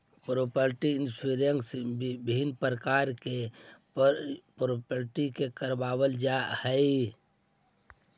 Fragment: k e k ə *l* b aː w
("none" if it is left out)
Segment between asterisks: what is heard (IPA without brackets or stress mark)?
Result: ɾ